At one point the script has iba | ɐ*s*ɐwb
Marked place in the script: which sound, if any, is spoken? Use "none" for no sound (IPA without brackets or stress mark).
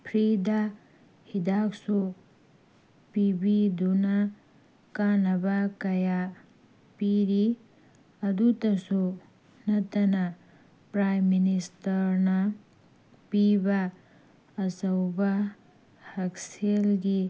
s